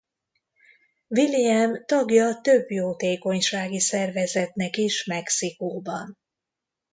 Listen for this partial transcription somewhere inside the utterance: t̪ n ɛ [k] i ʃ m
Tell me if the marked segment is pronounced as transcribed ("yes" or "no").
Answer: yes